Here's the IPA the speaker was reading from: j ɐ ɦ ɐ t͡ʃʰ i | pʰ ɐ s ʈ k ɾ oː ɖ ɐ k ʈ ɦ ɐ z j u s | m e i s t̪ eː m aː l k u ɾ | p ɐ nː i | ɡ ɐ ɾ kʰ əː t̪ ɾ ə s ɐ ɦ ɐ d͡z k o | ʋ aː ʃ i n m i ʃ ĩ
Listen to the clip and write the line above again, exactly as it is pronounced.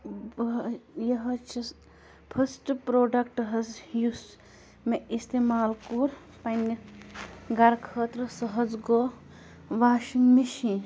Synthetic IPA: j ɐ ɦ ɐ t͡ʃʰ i | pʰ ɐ s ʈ p ɾ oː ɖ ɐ k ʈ ɦ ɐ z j u s | m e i s t̪ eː m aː l k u ɾ | p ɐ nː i | ɡ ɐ ɾ kʰ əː t̪ ɾ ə s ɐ ɦ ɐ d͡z ɡ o | ʋ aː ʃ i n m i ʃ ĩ